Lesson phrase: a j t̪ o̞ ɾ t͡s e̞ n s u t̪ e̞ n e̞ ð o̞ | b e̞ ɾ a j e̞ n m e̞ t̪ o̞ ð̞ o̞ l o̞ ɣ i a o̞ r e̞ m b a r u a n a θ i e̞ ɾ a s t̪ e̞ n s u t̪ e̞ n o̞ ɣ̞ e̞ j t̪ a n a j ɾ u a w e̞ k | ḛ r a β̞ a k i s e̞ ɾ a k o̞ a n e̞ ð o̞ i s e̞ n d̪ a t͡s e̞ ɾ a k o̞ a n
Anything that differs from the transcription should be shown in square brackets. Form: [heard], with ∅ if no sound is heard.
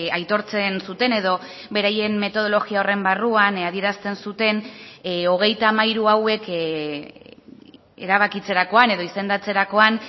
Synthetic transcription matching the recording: a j t̪ o̞ ɾ t͡s e̞ n s u t̪ e̞ n e̞ ð o̞ | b e̞ ɾ a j e̞ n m e̞ t̪ o̞ ð̞ o̞ l o̞ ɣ i a o̞ r e̞ m b a r u a n a [ð] i e̞ ɾ a s t̪ e̞ n s u t̪ e̞ n o̞ ɣ̞ e̞ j t̪ a [m] a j ɾ u a w e̞ k | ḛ [ɾ] a β̞ a k i [t͡s] e̞ ɾ a k o̞ a n e̞ ð o̞ i s e̞ n d̪ a t͡s e̞ ɾ a k o̞ a n